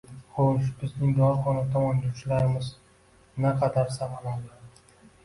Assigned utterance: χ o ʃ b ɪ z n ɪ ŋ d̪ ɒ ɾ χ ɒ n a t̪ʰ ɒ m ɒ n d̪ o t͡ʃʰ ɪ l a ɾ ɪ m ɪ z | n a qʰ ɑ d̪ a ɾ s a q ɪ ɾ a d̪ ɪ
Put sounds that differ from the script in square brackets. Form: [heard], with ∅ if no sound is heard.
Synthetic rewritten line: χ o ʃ b ɪ z n ɪ ŋ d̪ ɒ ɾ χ ɒ n a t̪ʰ ɒ m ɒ n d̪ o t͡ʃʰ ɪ l a ɾ ɪ m ɪ z | n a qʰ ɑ d̪ a ɾ s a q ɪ [l] a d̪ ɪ